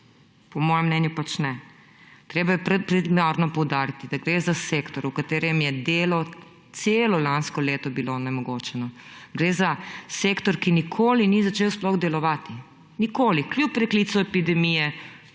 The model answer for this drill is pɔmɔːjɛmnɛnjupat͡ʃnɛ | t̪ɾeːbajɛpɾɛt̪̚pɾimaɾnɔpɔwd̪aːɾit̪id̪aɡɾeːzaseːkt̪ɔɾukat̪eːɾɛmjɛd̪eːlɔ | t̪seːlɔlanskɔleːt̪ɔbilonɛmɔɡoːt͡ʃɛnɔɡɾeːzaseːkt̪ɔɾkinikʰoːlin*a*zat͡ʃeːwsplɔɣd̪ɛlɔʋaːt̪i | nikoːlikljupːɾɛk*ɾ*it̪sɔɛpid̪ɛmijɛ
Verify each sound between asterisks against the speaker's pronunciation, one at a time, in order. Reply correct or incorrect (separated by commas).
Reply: incorrect, incorrect